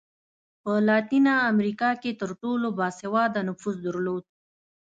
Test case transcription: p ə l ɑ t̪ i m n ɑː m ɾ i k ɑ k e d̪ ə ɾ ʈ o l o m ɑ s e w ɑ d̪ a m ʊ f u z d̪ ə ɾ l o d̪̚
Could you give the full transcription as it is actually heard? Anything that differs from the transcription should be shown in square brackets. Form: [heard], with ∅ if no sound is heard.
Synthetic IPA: p ə l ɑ t̪ i [∅] n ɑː m ɾ i k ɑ k e [t̪] ə ɾ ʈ o l o [b] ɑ s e w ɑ d̪ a [n] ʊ f u z d̪ ə ɾ l o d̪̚